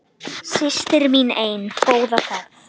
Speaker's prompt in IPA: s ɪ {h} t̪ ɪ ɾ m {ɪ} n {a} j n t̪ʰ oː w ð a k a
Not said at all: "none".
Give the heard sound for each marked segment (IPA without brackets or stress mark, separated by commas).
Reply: s, i, e